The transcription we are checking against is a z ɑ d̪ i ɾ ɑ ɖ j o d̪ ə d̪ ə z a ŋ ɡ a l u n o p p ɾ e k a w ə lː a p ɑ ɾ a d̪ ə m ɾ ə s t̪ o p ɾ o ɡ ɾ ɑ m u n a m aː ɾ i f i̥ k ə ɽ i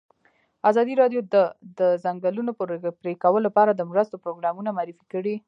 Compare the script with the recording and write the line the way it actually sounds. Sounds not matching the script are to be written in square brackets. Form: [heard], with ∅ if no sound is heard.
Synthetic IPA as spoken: a z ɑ d̪ i ɾ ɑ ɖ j o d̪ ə d̪ ə z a ŋ ɡ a l u n o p p ɾ e k a w ə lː a p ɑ ɾ a d̪ ə m ɾ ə s t̪ o p ɾ o ɡ ɾ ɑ m u n a m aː ɾ i f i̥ k ə ɽ i